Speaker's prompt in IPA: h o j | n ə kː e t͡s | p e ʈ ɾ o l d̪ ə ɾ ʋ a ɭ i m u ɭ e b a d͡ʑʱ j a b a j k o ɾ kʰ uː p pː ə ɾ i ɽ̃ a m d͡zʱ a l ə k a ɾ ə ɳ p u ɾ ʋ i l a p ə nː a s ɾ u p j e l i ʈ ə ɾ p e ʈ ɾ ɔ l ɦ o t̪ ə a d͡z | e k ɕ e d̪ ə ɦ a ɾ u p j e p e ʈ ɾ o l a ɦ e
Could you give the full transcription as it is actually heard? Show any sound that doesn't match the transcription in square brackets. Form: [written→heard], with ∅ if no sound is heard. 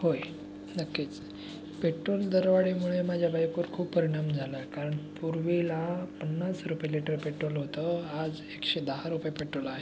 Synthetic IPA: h o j | n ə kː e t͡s | p e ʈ ɾ o l d̪ ə ɾ ʋ a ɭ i m u ɭ e [b→m] a d͡ʑʱ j a b a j k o ɾ kʰ uː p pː ə ɾ i ɽ̃ a m d͡zʱ a l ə k a ɾ ə ɳ p u ɾ ʋ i l a p ə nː a s ɾ u p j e l i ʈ ə ɾ p e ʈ ɾ [ɔ→o] l ɦ o t̪ ə a d͡z | e k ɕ e d̪ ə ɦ a ɾ u p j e p e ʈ ɾ o l a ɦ e